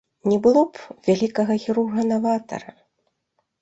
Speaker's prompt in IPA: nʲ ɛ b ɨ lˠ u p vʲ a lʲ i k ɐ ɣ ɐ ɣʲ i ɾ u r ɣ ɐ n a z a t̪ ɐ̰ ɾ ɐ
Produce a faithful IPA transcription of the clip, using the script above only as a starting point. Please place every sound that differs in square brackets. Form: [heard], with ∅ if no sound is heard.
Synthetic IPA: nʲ ɛ b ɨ lˠ [ɔ] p vʲ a lʲ i k ɐ ɣ ɐ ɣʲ i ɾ u r ɣ ɐ n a [v] a t̪ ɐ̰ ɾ ɐ